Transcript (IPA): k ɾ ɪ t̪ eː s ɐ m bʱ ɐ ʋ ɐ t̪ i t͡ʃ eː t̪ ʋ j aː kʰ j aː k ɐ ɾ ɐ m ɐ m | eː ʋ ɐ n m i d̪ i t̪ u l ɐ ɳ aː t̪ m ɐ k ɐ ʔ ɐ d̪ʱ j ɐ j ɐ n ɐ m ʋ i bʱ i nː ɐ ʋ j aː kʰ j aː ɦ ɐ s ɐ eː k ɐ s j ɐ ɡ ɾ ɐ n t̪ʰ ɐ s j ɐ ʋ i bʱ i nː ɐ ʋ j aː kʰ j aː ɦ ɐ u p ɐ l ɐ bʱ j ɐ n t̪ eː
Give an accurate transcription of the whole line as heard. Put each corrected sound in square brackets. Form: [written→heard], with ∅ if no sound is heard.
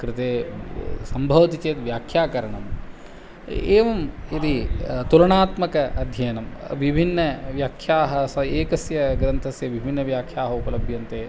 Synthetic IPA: k ɾ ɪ t̪ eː s ɐ m bʱ ɐ ʋ ɐ t̪ i t͡ʃ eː t̪ ʋ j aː kʰ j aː k ɐ ɾ ɐ [m→ɳ] ɐ m | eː ʋ ɐ [n→∅] m i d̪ i t̪ u l ɐ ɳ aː t̪ m ɐ k ɐ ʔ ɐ d̪ʱ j ɐ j ɐ n ɐ m ʋ i bʱ i nː ɐ ʋ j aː kʰ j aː ɦ ɐ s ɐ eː k ɐ s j ɐ ɡ ɾ ɐ n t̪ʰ ɐ s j ɐ ʋ i bʱ i nː ɐ ʋ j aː kʰ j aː ɦ ɐ u p ɐ l ɐ bʱ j ɐ n t̪ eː